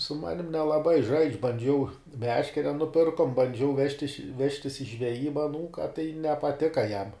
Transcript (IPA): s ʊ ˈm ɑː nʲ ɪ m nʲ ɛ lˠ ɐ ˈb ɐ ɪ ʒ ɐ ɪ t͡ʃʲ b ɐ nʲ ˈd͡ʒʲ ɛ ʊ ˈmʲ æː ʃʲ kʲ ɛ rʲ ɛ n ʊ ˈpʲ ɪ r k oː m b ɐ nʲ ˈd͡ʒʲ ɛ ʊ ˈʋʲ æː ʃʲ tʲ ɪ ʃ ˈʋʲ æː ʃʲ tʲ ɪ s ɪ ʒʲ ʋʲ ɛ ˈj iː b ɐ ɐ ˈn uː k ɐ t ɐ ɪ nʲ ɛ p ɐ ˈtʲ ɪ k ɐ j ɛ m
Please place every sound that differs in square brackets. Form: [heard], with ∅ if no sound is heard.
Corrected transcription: s ʊ ˈm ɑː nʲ ɪ m nʲ ɛ lˠ ɐ ˈb ɐ ɪ ʒ ɐ ɪ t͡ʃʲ b ɐ nʲ ˈd͡ʒʲ ɛ ʊ ˈmʲ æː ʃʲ kʲ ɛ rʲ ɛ n ʊ ˈpʲ ɪ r k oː m b ɐ nʲ ˈd͡ʒʲ ɛ ʊ ˈʋʲ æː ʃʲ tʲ ɪ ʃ ˈʋʲ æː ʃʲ tʲ ɪ s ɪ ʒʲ ʋʲ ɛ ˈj iː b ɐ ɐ ˈn uː k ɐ t ɐ ɪ nʲ ɛ p ɐ ˈtʲ ɪ k ɐ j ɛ m